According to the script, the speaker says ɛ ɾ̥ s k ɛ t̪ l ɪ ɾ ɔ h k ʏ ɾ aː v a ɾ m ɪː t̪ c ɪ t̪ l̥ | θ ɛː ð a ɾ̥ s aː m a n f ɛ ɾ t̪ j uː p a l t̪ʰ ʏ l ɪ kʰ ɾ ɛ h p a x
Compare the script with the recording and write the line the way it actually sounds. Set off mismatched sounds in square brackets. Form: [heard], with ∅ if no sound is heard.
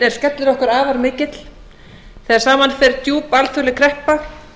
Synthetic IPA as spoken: ɛ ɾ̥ s k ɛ t̪ l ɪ ɾ ɔ h k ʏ ɾ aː v a ɾ m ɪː [∅] c ɪ t̪ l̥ | θ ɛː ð a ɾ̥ s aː m a n f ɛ ɾ t̪ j uː p a l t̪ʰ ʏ l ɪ kʰ ɾ ɛ h p a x